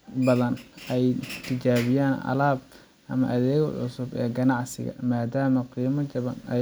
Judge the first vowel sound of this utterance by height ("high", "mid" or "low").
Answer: low